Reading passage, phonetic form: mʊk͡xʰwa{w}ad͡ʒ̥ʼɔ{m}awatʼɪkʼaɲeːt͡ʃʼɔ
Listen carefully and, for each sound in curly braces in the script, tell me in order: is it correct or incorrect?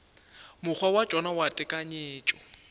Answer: correct, incorrect

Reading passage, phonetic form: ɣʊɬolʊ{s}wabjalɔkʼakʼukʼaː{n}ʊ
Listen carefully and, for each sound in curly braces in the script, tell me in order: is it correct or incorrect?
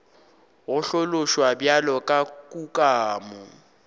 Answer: incorrect, incorrect

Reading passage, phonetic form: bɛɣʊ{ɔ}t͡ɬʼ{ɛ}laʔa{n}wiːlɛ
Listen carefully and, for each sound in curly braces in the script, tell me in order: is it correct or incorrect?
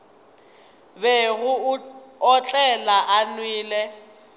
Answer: correct, correct, correct

